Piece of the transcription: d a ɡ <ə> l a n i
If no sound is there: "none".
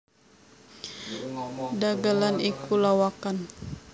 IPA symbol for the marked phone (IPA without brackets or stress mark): a